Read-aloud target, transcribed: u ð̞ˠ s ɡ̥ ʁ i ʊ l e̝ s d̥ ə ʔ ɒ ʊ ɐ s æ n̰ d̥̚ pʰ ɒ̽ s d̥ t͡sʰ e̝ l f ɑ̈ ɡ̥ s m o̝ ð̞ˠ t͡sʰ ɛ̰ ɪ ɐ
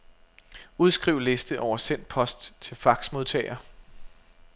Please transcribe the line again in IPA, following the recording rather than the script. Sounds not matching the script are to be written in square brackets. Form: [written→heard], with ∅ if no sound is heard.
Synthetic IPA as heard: u ð̞ˠ s ɡ̥ ʁ i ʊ l e̝ s d̥ ə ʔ ɒ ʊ ɐ s [æ→e] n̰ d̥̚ pʰ ɒ̽ s d̥ t͡sʰ e̝ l f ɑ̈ ɡ̥ s m o̝ ð̞ˠ t͡sʰ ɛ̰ ɪ ɐ